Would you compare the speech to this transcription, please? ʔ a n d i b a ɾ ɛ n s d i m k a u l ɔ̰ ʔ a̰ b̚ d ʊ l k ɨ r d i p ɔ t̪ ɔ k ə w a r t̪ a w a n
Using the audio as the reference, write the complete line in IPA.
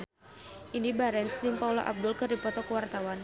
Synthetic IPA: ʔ i n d i b a ɾ ɛ n s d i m p a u l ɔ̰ ʔ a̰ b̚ d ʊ l k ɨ r d i p ɔ t̪ ɔ k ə w a r t̪ a w a n